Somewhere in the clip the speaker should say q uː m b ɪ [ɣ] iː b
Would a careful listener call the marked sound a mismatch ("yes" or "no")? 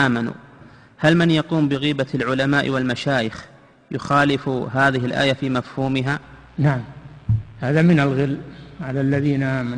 no